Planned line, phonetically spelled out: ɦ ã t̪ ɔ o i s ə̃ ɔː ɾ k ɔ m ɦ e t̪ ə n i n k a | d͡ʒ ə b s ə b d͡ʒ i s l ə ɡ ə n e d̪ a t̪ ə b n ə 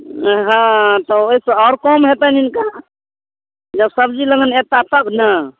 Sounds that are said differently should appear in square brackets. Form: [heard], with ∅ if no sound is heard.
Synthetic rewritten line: ɦ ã t̪ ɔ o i s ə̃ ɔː ɾ k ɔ m ɦ e t̪ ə n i n k a | d͡ʒ ə b s ə b d͡ʒ i [∅] l ə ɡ ə n e [t̪] a t̪ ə b n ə

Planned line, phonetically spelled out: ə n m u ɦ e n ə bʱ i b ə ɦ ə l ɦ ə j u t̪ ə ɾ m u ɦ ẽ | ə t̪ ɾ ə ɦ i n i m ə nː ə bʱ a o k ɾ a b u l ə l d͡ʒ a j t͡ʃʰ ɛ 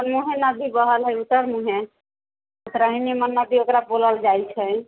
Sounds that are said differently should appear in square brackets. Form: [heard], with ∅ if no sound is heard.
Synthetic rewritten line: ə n m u ɦ e n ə bʱ i b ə ɦ ə l ɦ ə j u t̪ ə ɾ m u ɦ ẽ | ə t̪ ɾ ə ɦ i n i m ə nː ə bʱ [i] o k ɾ a b [o] l ə l d͡ʒ a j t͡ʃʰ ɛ

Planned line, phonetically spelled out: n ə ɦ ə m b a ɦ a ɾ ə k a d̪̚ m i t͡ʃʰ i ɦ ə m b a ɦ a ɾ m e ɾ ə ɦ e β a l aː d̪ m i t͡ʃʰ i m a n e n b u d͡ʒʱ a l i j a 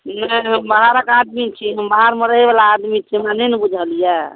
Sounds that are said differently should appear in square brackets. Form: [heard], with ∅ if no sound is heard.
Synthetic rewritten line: n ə ɦ ə m b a ɦ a ɾ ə k a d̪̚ m i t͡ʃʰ i ɦ ə m b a ɦ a ɾ m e ɾ ə ɦ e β a l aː d̪ m i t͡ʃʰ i m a n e n b u d͡ʒʱ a l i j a

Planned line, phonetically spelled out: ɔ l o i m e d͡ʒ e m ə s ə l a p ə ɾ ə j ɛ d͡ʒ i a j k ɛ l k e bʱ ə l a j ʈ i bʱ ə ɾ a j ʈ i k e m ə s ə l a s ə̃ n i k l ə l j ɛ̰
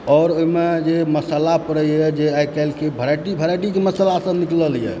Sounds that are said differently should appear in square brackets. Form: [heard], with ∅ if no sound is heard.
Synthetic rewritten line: ɔ [ɾ] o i m e d͡ʒ e m ə s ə l a p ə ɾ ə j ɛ d͡ʒ [e] a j k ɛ l k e bʱ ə [ɾ] a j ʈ i bʱ ə ɾ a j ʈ i k e m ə s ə l a s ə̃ n i k l ə l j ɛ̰

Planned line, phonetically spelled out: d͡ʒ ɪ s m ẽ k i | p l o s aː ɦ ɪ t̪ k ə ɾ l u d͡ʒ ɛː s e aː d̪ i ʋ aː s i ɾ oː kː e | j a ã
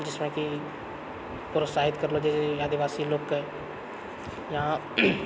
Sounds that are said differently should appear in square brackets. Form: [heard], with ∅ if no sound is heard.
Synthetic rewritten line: d͡ʒ ɪ s m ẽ k i | p [ɾ] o s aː ɦ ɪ t̪ k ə ɾ l [o] d͡ʒ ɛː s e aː d̪ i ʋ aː s i [l] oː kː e | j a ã

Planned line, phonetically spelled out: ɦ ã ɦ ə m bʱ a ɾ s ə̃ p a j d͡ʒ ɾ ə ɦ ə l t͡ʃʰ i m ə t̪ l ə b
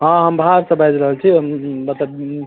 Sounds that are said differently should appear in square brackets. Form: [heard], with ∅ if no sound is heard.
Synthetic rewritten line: ɦ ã ɦ ə m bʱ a ɾ s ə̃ [b] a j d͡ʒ ɾ ə ɦ ə l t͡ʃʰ i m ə t̪ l ə b

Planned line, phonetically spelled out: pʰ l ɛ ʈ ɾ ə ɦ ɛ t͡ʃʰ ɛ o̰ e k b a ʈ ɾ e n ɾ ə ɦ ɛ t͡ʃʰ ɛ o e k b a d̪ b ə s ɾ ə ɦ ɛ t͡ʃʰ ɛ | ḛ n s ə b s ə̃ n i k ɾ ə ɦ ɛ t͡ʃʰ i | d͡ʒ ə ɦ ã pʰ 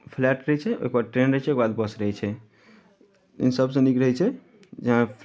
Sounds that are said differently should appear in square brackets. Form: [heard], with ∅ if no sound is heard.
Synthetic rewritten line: pʰ l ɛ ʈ ɾ ə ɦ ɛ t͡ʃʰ ɛ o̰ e k b a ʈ ɾ e n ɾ ə ɦ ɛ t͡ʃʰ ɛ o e k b a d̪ b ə s ɾ ə ɦ ɛ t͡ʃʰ ɛ | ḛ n s ə b s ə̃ n i k ɾ ə ɦ ɛ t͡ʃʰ [ɛ] | d͡ʒ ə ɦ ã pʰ

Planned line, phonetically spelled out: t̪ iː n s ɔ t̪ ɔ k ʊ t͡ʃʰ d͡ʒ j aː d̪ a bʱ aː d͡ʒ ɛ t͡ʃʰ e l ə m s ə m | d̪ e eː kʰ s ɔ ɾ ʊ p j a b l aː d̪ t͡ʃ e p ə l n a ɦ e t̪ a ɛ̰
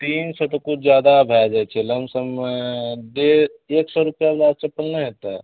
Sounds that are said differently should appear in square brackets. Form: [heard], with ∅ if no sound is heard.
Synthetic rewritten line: t̪ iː n s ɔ t̪ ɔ k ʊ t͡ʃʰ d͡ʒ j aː d̪ a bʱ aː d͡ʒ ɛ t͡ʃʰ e l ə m s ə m | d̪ e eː [k] s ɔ ɾ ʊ p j a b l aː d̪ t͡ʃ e p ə l n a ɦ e t̪ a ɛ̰

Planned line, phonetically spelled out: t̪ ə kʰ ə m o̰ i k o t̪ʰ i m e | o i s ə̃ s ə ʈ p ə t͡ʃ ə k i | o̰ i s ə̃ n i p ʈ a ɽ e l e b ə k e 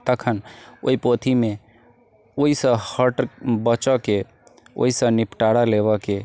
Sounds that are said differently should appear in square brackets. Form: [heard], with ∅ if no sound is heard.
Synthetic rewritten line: t̪ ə kʰ ə [n] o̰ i [p] o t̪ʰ i m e | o i s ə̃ [h] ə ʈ [b] ə t͡ʃ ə k [e] | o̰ i s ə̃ n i p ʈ a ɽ [a] l e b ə k e

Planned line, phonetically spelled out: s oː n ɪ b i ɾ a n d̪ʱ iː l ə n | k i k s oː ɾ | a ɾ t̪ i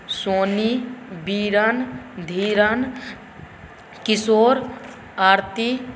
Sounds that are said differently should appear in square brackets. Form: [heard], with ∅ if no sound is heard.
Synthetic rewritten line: s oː n [i] b i ɾ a n d̪ʱ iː [ɾ] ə n | k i [∅] s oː ɾ | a ɾ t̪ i

